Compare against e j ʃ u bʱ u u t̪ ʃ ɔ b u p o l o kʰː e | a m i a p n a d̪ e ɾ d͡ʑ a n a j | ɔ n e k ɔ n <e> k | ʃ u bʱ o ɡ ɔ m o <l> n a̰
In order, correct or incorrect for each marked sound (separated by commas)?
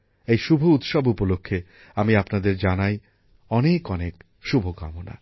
correct, incorrect